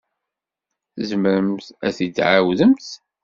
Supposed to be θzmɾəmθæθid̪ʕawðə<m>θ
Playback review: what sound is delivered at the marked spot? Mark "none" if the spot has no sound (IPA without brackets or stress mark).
m